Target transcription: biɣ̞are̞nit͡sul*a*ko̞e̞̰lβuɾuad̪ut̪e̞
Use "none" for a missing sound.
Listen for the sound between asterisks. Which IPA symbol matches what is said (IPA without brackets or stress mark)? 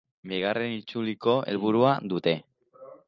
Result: i